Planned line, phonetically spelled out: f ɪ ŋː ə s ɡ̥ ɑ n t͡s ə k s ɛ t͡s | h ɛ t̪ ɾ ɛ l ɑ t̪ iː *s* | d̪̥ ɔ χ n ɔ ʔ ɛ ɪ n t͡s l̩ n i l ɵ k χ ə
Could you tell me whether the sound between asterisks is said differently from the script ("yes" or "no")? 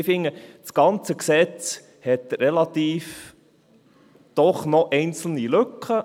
yes